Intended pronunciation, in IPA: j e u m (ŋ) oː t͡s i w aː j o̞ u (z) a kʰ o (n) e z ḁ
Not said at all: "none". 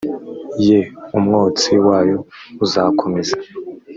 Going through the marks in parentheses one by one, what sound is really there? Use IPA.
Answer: ŋ, z, m

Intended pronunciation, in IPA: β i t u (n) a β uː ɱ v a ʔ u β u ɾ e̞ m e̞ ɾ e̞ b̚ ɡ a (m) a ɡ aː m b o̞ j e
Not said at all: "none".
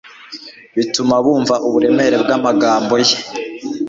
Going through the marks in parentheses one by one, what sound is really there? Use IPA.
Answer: m, m

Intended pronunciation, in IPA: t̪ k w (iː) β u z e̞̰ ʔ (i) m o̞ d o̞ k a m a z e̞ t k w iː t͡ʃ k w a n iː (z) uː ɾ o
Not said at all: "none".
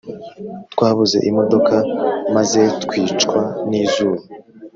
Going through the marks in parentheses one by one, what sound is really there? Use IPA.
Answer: aː, i, z

